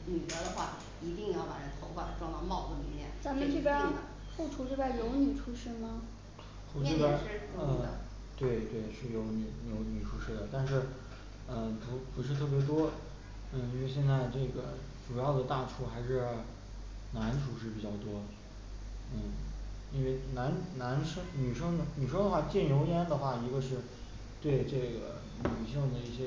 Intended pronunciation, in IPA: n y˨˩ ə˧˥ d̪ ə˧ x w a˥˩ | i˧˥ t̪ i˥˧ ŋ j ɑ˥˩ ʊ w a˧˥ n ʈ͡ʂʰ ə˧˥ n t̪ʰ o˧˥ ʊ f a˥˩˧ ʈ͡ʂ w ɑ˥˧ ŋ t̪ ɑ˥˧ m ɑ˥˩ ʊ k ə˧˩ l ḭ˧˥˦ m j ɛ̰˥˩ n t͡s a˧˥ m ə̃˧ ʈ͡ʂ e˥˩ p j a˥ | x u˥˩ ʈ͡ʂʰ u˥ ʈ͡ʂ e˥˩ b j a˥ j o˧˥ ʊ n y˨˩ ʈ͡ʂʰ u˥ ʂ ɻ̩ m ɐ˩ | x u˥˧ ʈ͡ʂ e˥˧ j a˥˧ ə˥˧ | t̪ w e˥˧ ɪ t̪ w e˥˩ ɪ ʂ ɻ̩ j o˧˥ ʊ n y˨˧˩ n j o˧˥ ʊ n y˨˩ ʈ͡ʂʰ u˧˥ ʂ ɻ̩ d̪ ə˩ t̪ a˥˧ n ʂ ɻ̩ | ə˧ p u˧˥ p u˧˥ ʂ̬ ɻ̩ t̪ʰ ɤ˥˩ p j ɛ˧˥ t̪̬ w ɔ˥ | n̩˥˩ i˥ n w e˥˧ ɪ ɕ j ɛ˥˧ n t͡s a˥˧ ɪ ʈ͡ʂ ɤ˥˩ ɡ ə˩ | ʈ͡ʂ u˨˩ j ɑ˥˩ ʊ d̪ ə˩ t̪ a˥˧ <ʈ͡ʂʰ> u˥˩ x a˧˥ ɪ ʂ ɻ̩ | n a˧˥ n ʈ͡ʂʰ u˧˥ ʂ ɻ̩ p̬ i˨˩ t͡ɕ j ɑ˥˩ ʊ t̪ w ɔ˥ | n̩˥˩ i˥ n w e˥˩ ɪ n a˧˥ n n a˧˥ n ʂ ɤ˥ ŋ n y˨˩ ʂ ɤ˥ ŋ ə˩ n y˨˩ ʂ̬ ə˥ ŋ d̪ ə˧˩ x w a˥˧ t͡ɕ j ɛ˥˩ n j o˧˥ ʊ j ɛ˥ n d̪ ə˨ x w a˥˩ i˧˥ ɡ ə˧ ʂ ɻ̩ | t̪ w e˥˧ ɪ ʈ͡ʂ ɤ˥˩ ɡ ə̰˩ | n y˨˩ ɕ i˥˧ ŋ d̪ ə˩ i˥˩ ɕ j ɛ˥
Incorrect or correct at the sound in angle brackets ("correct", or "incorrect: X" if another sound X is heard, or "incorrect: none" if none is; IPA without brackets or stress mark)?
correct